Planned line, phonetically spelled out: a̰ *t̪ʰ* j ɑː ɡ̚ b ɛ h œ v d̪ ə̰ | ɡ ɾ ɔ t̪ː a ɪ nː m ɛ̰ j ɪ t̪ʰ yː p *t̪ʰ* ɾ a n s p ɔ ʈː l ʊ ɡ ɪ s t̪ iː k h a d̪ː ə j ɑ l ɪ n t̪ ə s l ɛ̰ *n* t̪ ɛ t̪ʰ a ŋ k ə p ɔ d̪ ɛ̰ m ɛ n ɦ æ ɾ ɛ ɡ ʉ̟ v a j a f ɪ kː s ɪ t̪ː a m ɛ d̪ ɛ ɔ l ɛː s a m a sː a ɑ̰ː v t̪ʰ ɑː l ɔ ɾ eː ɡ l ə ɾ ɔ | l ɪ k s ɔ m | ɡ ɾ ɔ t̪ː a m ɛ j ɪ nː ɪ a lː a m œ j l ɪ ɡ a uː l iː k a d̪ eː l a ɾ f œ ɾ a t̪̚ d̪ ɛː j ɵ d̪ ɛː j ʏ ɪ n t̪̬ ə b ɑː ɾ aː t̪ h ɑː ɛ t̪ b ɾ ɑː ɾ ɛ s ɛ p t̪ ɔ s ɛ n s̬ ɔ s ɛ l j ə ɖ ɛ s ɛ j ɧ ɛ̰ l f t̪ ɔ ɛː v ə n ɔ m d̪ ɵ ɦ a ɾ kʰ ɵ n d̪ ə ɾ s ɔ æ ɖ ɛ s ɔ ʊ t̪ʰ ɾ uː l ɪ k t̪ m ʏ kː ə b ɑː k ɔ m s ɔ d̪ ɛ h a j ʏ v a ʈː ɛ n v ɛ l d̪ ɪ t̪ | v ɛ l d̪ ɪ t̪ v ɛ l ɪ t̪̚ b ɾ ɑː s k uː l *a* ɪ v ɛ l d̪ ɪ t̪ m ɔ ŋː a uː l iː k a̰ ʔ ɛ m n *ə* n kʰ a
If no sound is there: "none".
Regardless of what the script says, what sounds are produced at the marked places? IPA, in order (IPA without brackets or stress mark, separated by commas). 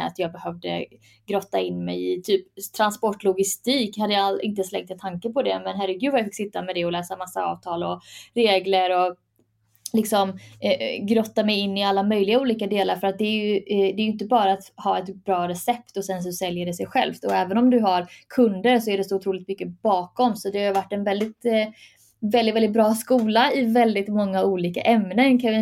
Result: t̪, t̪ʰ, ŋ, a, ə